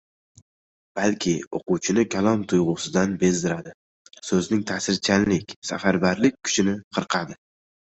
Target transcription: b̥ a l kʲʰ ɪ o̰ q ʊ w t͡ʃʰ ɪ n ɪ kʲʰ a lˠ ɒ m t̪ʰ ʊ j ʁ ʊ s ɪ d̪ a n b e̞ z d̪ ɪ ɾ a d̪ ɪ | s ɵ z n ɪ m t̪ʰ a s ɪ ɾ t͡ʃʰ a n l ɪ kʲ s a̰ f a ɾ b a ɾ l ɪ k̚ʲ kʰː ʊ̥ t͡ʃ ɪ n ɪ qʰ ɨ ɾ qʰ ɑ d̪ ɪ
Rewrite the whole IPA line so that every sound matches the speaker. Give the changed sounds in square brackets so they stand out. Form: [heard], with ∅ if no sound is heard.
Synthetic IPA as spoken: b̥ a l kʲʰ ɪ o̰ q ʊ w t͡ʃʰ ɪ n ɪ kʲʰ a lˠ ɒ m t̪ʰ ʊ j ʁ ʊ s ɪ d̪ a n b e̞ z d̪ ɪ ɾ a d̪ ɪ | s ɵ z n ɪ [ŋ] t̪ʰ a s ɪ ɾ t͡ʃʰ a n l ɪ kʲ s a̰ f a ɾ b a ɾ l ɪ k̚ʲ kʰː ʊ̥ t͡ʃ ɪ n ɪ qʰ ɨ ɾ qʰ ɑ d̪ ɪ